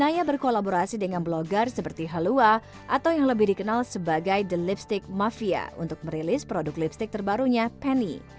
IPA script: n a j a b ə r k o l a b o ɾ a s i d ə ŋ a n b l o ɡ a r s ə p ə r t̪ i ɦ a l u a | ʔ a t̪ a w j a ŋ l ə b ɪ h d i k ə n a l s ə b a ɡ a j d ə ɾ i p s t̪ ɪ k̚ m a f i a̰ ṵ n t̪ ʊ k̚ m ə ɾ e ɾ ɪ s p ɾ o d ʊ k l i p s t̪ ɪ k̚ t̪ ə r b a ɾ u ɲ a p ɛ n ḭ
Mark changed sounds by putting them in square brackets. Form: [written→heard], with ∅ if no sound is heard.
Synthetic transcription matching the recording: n a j a b ə r k o l a b o ɾ a s i d ə ŋ a n b l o ɡ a r s ə p ə r t̪ i ɦ a l u a | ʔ a t̪ a w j a ŋ l ə b ɪ h d i k ə n a l s ə b a ɡ a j d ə [ɾ→l] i p s t̪ ɪ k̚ m a f i a̰ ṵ n t̪ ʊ k̚ m ə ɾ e [ɾ→l] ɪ s p ɾ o d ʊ k l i p s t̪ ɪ k̚ t̪ ə r b a ɾ u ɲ a p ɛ n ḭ

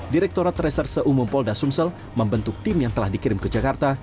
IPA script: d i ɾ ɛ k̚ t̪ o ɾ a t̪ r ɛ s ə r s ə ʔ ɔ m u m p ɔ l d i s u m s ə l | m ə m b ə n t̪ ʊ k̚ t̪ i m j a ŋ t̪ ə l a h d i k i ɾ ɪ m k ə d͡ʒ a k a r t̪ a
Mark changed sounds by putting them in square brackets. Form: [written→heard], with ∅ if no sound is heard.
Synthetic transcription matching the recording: d i ɾ ɛ k̚ t̪ o ɾ a t̪ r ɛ s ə r s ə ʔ [ɔ→u] m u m p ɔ l d [i→a] s u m s ə l | m ə m b ə n t̪ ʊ k̚ t̪ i m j a ŋ t̪ ə l a h d i k i ɾ ɪ m k ə d͡ʒ a k a r t̪ a

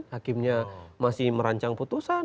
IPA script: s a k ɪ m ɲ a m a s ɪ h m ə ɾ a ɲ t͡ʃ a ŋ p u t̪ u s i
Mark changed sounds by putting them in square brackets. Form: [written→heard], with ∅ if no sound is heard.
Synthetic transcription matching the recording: [s→h] a k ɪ m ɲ a m a s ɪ h m ə ɾ a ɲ t͡ʃ a ŋ p u t̪ u s [i→a]

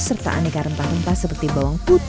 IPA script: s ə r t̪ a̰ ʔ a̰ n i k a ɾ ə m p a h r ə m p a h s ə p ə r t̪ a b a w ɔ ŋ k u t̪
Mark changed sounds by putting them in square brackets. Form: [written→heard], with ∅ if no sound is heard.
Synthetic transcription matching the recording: s ə r t̪ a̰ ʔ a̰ n i k a ɾ ə m p a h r ə m p a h s ə p ə r t̪ [a→i] b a w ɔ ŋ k u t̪

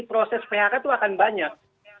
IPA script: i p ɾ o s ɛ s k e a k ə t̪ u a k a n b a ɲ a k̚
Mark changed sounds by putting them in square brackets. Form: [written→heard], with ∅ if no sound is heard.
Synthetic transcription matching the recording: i p ɾ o s ɛ s [k→p] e a k [ə→a] t̪ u a k a n b a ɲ a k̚

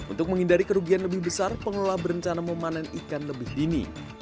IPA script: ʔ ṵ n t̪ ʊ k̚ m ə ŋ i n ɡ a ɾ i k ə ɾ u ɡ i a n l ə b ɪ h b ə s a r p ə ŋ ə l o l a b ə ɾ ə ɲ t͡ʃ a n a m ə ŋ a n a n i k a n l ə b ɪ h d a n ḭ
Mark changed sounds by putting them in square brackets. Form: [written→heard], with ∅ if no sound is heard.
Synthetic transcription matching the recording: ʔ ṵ n t̪ ʊ k̚ m ə ŋ i n [ɡ→d] a ɾ i k ə ɾ u ɡ i a n l ə b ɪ h b ə s a r p ə ŋ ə l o l a b ə ɾ ə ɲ t͡ʃ a n a m ə [ŋ→m] a n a n i k a n l ə b ɪ h d [a→i] n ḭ

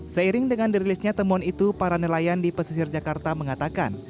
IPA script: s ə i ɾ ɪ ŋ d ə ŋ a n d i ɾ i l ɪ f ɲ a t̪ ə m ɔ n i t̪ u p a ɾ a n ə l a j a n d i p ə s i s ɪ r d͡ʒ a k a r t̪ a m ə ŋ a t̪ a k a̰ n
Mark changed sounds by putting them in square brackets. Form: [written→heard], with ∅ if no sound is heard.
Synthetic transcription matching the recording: s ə i ɾ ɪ ŋ d ə ŋ a n d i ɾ i l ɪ [f→s] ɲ a t̪ ə m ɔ n i t̪ u p a ɾ a n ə l a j a n d i p ə s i s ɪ r d͡ʒ a k a r t̪ a m ə ŋ a t̪ a k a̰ n

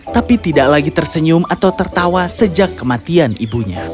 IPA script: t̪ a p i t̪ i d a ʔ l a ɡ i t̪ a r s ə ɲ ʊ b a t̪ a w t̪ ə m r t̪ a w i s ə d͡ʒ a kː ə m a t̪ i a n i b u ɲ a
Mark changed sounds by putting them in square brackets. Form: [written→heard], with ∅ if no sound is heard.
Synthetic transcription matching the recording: t̪ a p i t̪ i d a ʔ l a ɡ i t̪ [a→ə] r s ə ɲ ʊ [b→m] a t̪ a w t̪ ə [m→∅] r t̪ a w [i→a] s ə d͡ʒ a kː ə m a t̪ i a n i b u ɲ a

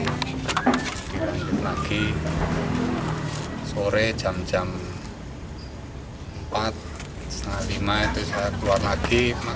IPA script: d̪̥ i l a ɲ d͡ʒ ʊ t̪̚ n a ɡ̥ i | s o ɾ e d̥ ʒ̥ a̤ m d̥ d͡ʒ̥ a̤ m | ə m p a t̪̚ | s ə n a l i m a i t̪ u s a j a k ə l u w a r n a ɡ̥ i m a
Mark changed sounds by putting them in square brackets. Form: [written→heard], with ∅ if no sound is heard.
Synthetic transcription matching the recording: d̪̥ i l a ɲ d͡ʒ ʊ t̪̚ n a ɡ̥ i | s o ɾ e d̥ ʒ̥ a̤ m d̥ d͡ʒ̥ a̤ m | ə m p a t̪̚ | s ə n a l i m a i t̪ u s a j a k ə l u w a r n a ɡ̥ i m a

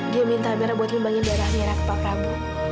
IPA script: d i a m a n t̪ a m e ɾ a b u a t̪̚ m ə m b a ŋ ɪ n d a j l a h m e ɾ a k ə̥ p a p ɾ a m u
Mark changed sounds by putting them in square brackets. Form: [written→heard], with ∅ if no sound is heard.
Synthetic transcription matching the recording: d i a m [a→i] n t̪ a m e ɾ a b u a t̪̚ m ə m b a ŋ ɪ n d a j [l→ɾ] a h m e ɾ a k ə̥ p a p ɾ a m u

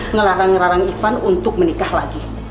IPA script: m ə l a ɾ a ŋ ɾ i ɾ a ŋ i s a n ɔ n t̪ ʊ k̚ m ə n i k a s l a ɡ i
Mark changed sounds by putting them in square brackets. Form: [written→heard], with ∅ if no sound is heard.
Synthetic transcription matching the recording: [m→ŋ] ə l a ɾ a ŋ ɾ [i→a] ɾ a ŋ i [s→f] a n [ɔ→u] n t̪ ʊ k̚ m ə n i k a [s→h] l a ɡ i

